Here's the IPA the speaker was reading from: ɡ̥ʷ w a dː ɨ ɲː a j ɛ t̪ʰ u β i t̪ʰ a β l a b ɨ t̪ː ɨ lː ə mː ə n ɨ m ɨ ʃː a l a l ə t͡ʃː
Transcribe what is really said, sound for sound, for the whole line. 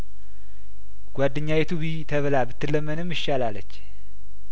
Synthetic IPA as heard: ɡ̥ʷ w a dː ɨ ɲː a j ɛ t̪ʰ u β i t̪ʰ ə β l a b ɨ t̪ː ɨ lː ə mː ə n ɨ m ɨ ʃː a l a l ə t͡ʃː